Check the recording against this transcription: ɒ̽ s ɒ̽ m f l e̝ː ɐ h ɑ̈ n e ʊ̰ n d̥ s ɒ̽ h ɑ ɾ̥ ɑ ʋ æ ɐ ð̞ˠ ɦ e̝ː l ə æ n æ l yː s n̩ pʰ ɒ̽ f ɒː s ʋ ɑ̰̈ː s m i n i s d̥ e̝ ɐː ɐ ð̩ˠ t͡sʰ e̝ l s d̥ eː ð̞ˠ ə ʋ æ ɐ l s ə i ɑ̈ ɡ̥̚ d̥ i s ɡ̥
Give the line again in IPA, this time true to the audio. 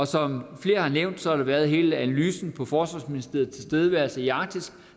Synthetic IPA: ɒ̽ s ɒ̽ m f l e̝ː ɐ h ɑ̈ n e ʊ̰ n d̥ s ɒ̽ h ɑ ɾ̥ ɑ ʋ æ ɐ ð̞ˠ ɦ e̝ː l ə æ n æ l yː s n̩ pʰ ɒ̽ f ɒː s ʋ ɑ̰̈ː s m i n i s d̥ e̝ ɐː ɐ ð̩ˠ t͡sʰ e̝ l s d̥ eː ð̞ˠ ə ʋ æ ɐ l s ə i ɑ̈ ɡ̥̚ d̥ i s ɡ̥

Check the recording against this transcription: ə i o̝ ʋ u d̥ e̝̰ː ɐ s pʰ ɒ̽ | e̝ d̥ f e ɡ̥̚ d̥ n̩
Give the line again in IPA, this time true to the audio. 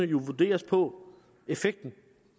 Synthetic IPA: ə j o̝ ʋ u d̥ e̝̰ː ɐ s pʰ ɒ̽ | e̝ f e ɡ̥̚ d̥ n̩

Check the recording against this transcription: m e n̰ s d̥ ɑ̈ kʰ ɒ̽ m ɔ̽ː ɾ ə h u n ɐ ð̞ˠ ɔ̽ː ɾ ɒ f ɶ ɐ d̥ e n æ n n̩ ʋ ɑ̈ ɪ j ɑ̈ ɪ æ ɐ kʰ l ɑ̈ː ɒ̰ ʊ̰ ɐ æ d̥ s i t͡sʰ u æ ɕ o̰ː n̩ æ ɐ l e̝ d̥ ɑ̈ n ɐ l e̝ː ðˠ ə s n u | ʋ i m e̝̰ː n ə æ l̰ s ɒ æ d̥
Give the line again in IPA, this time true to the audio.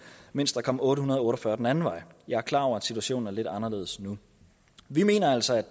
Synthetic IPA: m e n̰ s d̥ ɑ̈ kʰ ɒ̽ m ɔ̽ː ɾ ə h u n ɐ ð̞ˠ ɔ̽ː ɾ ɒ f ɶ ɐ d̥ e n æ n n̩ ʋ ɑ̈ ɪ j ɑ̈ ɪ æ ɐ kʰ l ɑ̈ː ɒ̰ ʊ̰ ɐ æ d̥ s i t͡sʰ u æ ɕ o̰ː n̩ æ ɐ l e̝ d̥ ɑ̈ n ɐ l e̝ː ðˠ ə s n u | ʋ i m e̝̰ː n ɐ æ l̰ s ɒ æ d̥

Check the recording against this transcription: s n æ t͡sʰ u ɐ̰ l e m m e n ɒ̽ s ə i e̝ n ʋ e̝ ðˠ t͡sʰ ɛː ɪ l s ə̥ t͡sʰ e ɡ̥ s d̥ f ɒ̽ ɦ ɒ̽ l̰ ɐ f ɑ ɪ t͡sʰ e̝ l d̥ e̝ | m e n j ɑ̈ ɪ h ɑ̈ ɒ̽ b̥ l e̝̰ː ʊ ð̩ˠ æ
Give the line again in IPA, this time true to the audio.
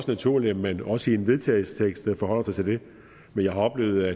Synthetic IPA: s n æ t͡sʰ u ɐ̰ l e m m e n ɒ̽ s ə i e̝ n ʋ e̝ ðˠ t͡sʰ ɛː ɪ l s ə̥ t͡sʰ e ɡ̥ s d̥ f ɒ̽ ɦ ɒ̽ l̰ ɐ s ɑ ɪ t͡sʰ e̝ l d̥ e̝ | m e n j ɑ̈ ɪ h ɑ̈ ɒ̽ b̥ l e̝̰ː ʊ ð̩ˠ æ

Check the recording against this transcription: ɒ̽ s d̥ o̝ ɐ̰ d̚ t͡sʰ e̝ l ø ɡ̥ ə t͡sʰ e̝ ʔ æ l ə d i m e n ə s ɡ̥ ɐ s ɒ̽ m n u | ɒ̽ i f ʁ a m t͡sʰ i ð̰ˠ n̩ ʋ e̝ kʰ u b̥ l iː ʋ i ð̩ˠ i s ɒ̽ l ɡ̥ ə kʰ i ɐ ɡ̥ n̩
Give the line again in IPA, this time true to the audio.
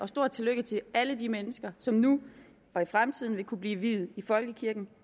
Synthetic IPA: ɒ̽ s d̥ o̝ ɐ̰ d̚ t͡sʰ e̝ l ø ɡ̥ ə t͡sʰ e̝ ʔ æ l ə d i m e n ə s ɡ̥ ɐ s ɒ̽ m n u | ɒ̽ i f ʁ a m t͡sʰ i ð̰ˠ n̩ ʋ e̝ kʰ u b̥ l iː ʋ i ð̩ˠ i f ɒ̽ l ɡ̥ ə kʰ i ɐ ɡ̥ n̩

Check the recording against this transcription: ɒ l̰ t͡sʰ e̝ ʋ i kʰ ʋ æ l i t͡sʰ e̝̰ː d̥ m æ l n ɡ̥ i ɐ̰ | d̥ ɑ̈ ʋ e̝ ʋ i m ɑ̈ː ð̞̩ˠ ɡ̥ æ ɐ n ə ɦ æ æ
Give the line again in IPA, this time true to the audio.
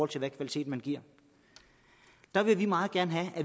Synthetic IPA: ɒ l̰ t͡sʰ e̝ ʋ æ kʰ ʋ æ l i t͡sʰ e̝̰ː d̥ m æ n ɡ̥ i ɐ̰ | d̥ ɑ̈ ʋ e̝ ʋ i m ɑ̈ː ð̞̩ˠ ɡ̥ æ ɐ n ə ɦ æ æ

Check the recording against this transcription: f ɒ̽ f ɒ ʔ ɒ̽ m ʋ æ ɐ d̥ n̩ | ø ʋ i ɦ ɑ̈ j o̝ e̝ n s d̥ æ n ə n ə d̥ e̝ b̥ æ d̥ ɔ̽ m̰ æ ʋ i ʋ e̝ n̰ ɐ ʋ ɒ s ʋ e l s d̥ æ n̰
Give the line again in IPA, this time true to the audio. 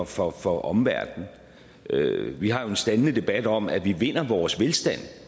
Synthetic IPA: f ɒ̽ f ɒ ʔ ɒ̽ m ʋ æ ɐ d̥ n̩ | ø ʋ i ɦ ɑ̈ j o̝ e̝ n s d̥ æ n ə n ə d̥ e̝ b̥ æ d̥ ɒ̽ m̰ æ ʋ i ʋ e̝ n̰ ɐ ʋ ɒː s ʋ e l s d̥ æ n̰

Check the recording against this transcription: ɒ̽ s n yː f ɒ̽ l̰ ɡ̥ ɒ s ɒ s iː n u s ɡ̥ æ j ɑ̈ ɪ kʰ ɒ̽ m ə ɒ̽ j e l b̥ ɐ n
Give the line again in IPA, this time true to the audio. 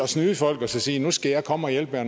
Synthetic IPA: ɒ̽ s n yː f ɒ̽ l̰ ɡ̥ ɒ s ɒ s iː n u s ɡ̥ æ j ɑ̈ ɪ kʰ ɒ̽ m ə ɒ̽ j e l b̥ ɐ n

